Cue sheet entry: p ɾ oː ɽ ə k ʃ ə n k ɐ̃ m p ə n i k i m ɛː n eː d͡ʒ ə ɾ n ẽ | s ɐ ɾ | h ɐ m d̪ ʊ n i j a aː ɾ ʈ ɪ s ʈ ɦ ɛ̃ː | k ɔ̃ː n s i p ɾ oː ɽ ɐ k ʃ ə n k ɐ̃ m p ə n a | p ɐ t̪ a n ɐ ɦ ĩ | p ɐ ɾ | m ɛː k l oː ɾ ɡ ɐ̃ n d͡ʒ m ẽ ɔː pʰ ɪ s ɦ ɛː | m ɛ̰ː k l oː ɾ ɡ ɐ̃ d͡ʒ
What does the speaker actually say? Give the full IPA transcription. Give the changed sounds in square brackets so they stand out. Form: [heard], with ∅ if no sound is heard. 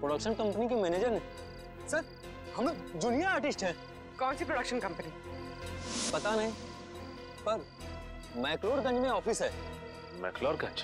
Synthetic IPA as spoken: p ɾ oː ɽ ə k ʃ ə n k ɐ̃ m p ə n i k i m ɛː n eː d͡ʒ ə ɾ n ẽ | s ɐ ɾ | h ɐ m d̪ ʊ n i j a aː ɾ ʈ ɪ s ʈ ɦ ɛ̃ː | k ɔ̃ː n s i p ɾ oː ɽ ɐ k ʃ ə n k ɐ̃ m p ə n [i] | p ɐ t̪ a n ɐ ɦ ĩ | p ɐ ɾ | m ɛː k l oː ɾ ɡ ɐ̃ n d͡ʒ m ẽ ɔː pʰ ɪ s ɦ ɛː | m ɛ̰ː k l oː ɾ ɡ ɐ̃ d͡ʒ